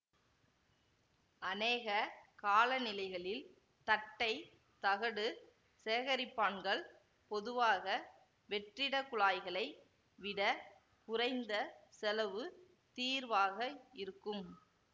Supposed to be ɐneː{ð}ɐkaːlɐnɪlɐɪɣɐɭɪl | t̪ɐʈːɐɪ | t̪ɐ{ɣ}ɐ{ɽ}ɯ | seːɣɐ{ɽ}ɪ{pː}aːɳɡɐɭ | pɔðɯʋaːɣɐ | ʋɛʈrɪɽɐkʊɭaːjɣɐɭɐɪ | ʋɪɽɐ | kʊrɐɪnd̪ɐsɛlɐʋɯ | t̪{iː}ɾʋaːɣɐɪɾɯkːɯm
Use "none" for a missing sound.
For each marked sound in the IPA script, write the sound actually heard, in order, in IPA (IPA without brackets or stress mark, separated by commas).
ɣ, ɣ, ɽ, ɾ, pː, iː